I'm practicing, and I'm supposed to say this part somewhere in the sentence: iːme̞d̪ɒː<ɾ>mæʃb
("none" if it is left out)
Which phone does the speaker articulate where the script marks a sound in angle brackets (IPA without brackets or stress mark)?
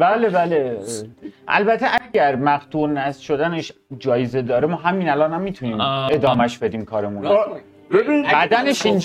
none